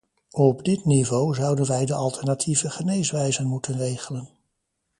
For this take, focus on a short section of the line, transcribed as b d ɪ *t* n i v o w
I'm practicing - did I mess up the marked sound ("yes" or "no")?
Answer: no